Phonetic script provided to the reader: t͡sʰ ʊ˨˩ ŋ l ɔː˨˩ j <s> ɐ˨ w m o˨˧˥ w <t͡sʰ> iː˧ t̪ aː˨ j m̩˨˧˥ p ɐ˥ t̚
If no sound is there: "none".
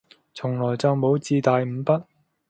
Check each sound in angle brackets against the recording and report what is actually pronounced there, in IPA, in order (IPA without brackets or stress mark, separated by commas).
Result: t͡s, t͡s